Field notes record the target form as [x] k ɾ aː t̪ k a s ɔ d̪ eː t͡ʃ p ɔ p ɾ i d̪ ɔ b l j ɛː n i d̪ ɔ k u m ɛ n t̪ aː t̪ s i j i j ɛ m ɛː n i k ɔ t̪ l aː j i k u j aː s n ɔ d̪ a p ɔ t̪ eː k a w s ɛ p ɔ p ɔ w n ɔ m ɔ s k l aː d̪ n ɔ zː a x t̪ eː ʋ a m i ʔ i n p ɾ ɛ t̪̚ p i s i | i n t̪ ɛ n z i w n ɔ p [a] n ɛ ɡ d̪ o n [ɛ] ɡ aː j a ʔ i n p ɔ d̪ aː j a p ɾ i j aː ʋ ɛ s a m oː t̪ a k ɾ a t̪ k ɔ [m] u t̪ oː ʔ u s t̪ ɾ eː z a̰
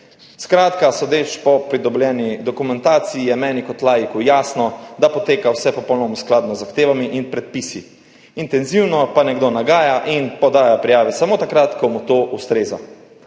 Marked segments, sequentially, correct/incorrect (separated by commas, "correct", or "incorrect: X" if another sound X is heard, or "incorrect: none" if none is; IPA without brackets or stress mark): incorrect: s, correct, incorrect: a, correct